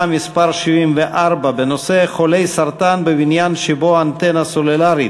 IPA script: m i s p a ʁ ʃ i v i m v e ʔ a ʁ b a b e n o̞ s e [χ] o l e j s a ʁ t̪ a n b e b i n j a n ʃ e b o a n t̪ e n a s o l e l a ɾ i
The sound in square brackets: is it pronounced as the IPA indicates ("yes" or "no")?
yes